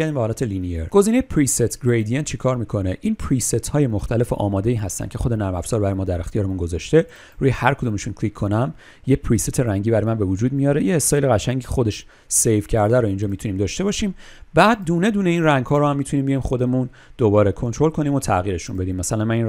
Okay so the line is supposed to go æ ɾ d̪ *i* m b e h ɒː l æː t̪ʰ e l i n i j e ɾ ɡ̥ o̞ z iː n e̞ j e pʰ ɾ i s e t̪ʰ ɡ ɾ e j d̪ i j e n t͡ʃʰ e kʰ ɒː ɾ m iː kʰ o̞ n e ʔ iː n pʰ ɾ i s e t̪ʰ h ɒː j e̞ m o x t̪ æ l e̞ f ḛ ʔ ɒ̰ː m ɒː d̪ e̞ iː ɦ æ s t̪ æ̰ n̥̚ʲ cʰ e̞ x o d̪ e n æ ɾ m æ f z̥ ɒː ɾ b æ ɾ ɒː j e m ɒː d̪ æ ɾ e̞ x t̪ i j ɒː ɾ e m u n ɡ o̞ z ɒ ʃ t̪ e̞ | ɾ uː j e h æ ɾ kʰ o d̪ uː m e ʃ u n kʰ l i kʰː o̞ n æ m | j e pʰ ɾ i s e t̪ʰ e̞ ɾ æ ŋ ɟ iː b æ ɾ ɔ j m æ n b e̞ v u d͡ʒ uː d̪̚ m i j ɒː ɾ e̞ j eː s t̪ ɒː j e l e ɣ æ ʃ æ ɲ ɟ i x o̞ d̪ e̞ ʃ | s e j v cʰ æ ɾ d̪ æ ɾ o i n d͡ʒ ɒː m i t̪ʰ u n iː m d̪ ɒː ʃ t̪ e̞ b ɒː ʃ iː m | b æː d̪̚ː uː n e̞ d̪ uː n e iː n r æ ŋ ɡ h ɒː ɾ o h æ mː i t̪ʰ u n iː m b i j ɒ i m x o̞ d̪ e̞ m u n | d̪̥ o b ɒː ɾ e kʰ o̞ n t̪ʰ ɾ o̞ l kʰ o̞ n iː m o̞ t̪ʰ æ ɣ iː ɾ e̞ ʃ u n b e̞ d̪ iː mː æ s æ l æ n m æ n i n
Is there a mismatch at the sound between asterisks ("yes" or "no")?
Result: no